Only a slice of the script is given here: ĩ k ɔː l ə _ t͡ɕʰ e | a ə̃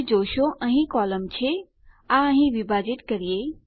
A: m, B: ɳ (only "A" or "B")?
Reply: A